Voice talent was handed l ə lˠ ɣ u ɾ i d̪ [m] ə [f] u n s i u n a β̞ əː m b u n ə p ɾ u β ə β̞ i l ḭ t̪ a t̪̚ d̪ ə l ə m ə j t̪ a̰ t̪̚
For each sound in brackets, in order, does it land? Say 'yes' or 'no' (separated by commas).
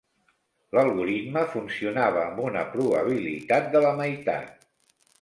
yes, yes